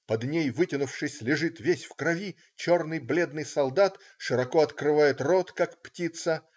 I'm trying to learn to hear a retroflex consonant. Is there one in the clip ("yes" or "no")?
yes